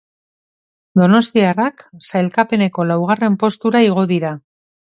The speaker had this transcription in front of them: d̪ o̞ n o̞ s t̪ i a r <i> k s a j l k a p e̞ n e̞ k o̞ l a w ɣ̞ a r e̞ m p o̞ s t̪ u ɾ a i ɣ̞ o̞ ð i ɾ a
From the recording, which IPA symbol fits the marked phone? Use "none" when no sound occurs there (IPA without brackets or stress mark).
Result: a